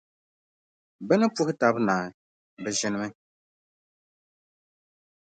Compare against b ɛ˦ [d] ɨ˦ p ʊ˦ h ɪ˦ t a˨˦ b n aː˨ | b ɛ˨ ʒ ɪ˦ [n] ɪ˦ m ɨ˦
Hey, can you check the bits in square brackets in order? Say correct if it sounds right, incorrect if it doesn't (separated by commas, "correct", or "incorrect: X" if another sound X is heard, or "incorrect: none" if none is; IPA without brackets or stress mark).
incorrect: n, correct